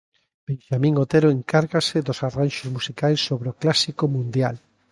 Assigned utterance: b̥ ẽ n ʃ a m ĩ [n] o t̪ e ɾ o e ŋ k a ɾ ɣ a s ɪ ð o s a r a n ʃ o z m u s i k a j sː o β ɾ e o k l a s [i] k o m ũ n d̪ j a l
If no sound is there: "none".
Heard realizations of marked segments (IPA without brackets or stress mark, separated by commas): ŋ, i